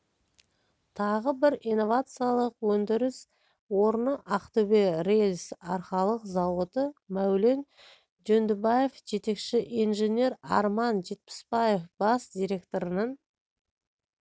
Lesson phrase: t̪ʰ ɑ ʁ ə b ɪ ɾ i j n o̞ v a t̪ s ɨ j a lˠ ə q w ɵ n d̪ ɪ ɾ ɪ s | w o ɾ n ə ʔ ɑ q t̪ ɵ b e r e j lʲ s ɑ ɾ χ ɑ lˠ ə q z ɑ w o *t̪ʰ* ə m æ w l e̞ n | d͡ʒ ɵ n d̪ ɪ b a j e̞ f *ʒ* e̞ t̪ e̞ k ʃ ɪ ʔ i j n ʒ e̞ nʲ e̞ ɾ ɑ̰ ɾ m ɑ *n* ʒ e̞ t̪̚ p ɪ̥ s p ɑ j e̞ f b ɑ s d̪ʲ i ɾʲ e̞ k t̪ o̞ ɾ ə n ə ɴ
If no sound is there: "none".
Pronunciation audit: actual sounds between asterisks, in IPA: t̪, ʒ, n

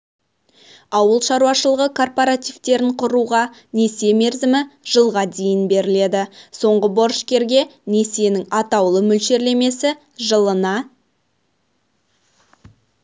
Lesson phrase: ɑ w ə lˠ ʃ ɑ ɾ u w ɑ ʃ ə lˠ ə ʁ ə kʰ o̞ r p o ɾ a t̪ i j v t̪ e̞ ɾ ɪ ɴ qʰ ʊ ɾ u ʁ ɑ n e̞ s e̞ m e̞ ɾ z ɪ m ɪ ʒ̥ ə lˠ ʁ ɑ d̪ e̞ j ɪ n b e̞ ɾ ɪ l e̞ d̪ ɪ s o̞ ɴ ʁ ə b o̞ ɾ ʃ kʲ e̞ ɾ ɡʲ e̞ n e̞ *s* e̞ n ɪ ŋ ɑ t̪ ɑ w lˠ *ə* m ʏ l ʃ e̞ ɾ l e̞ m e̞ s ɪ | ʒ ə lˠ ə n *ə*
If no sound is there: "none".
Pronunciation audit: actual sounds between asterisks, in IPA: s, ə, ɑ

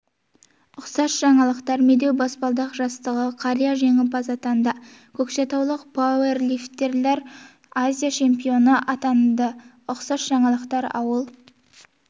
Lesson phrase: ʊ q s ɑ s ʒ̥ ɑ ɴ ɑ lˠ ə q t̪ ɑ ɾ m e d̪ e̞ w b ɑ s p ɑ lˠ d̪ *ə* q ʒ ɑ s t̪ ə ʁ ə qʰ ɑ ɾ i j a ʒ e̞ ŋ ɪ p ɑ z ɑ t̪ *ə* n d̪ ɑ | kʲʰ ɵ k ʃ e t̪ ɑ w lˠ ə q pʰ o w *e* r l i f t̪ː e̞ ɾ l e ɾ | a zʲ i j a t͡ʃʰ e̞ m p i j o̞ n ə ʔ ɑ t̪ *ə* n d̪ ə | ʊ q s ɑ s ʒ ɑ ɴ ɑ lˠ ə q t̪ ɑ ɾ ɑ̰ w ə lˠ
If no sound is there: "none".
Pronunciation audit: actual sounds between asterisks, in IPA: ɑ, ɑ, e, ɑ

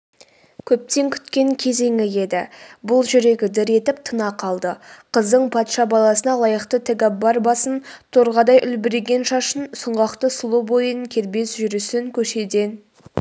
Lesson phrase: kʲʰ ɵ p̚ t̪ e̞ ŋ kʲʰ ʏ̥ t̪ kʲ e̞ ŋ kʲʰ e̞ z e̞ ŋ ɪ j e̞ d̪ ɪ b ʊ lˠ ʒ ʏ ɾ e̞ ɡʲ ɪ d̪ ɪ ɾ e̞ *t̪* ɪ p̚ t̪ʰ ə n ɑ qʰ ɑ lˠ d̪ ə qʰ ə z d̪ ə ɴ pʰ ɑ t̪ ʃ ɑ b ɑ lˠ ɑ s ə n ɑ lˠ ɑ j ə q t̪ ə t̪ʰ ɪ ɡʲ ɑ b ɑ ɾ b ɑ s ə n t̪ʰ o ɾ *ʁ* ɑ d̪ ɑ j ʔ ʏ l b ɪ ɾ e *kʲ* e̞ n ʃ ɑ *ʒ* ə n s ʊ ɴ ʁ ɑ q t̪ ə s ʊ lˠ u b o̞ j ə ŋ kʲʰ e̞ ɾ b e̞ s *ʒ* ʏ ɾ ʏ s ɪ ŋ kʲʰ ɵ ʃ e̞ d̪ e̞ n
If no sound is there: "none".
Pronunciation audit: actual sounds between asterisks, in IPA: t̪, ʁ, ɡʲ, ʃ, ʒ

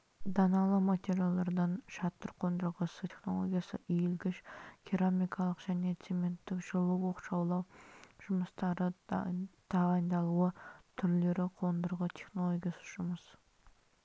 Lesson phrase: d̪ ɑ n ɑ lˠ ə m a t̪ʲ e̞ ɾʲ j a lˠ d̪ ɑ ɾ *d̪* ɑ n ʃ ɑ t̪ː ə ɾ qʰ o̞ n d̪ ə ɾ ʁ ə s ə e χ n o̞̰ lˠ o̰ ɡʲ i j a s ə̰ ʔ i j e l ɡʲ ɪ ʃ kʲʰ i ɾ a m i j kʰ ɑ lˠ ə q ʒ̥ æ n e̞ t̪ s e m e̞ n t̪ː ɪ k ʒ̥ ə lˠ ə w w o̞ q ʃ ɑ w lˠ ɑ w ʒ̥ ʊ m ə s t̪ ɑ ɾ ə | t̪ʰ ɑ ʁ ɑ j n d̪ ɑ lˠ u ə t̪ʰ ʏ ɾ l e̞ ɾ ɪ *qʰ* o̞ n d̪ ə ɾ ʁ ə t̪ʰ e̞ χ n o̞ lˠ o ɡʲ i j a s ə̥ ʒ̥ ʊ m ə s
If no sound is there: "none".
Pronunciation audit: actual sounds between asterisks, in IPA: d̪, qʰ

